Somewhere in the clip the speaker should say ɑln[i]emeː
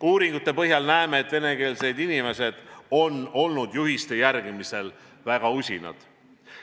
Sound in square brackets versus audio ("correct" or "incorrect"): incorrect